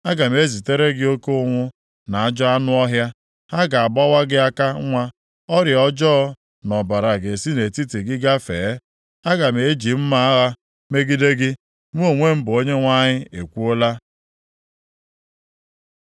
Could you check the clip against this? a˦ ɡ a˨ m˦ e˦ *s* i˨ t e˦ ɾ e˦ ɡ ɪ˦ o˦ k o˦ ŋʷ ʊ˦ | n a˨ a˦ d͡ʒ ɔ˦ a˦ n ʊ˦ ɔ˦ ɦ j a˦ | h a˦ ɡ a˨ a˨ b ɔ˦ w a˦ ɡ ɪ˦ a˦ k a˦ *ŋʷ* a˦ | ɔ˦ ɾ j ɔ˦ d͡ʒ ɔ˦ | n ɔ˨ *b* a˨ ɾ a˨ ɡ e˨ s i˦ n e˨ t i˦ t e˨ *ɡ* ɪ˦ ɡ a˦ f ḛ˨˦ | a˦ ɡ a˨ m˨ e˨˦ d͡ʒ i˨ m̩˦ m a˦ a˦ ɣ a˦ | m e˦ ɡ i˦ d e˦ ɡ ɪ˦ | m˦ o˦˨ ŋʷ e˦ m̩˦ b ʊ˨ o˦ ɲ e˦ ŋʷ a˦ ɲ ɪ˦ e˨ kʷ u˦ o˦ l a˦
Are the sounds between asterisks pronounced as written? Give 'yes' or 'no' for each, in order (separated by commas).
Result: no, yes, yes, yes